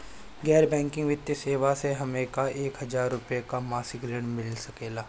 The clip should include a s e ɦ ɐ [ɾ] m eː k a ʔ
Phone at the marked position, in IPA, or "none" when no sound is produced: none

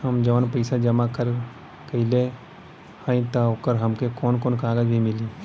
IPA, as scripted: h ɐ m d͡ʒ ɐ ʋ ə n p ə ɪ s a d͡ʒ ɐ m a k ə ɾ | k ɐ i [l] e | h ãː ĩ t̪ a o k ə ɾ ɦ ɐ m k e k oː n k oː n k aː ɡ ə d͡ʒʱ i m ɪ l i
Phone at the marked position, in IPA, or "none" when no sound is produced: l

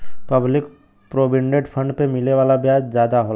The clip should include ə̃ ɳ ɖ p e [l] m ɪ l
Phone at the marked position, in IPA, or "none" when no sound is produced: none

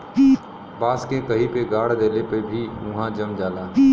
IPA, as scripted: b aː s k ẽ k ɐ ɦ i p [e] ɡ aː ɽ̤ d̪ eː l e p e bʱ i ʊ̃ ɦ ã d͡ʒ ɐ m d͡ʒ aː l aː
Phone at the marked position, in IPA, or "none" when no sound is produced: e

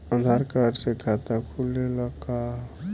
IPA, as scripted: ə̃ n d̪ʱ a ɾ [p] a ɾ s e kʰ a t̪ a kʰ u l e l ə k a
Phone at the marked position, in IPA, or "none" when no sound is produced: k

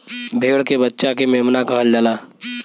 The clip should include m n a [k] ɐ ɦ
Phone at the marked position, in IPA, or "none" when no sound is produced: k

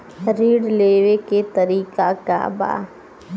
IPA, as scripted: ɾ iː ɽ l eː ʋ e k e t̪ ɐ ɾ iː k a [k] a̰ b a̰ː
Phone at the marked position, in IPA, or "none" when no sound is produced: k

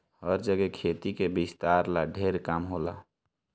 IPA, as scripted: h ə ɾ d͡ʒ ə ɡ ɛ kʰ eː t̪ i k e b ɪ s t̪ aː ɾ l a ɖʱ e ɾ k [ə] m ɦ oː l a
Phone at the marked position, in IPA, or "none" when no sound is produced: a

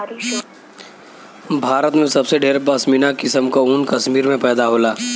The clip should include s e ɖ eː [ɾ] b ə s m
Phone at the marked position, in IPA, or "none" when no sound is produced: ɾ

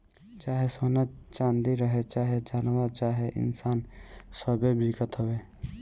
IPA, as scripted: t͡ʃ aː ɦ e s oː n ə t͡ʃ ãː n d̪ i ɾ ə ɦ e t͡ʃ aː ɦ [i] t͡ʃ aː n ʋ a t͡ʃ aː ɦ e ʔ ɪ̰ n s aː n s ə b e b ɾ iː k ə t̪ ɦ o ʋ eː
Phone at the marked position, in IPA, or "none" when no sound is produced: e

